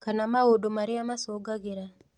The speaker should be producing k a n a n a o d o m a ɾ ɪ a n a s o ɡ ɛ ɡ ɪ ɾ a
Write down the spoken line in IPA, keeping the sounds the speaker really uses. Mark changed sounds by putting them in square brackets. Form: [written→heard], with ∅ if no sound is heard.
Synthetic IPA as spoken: k a n a [n→m] a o d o m a ɾ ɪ a [n→m] a s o ɡ [ɛ→a] ɡ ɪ ɾ a